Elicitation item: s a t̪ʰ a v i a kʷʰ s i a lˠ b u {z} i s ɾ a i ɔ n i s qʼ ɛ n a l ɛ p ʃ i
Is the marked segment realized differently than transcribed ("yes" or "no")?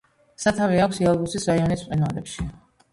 yes